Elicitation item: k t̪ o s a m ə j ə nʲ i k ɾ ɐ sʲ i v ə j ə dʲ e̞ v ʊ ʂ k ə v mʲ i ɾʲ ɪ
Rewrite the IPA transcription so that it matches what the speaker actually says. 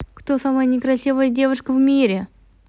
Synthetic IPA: k t̪ o s a m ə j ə nʲ ɪ k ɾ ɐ sʲ i v ə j ə dʲ e̞ v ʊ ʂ k ə v mʲ i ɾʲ ɪ